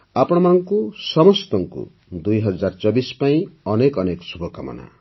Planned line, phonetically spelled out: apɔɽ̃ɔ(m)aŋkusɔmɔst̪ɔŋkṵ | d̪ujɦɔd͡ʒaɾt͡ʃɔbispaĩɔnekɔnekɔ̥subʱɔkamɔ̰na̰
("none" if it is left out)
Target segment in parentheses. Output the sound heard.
m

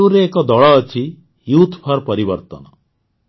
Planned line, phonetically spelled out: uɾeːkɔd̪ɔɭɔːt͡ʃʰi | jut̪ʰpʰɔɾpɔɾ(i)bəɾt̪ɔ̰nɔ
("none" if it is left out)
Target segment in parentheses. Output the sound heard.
i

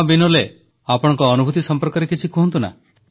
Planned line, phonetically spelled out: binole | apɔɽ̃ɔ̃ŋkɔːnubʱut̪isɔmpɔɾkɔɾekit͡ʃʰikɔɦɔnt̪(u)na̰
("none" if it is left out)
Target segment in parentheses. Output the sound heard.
u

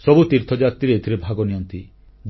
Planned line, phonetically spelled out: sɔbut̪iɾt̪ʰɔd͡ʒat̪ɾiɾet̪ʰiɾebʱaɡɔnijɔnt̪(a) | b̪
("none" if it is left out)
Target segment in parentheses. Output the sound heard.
i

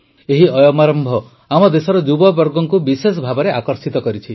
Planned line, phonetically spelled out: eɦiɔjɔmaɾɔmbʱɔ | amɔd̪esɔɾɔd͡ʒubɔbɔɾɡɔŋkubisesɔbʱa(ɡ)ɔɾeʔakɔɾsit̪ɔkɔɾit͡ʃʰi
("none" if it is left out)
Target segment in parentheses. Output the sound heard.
b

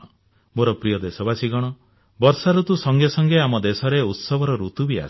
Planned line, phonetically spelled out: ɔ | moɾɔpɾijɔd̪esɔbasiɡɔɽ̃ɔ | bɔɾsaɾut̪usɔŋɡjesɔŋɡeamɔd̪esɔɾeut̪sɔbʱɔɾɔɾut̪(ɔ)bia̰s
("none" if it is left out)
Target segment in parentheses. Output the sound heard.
u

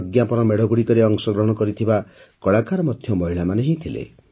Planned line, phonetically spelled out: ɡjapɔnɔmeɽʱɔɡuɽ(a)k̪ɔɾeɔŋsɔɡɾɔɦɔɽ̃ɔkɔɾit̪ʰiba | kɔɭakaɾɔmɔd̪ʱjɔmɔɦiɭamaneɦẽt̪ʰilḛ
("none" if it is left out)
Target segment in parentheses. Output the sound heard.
i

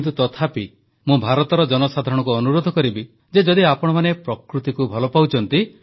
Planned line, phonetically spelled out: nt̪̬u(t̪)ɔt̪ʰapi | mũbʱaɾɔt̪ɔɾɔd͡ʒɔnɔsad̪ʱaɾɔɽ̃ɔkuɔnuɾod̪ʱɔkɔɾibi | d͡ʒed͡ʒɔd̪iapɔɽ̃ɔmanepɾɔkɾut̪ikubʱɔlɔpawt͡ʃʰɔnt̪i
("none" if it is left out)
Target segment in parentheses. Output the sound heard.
t̪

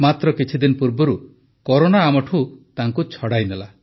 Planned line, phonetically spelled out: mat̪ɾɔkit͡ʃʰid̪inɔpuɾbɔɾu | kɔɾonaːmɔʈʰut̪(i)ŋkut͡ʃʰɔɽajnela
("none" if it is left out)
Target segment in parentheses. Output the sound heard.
a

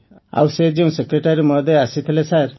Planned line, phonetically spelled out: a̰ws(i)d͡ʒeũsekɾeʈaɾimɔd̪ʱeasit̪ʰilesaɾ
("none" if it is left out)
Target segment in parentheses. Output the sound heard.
e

